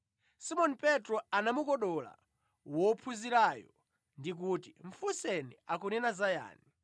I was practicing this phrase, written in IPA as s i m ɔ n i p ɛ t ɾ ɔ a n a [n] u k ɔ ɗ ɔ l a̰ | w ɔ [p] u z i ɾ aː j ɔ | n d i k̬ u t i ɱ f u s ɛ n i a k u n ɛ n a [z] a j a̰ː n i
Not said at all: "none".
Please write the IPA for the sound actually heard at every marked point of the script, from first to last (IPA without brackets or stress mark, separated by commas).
m, pʰ, z